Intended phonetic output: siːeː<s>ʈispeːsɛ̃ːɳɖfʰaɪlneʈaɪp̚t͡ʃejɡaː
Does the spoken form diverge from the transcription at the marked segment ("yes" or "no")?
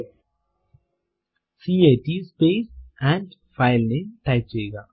yes